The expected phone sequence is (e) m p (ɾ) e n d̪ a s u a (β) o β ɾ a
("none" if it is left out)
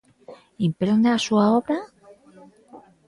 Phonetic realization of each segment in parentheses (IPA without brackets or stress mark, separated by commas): i, ɾ, none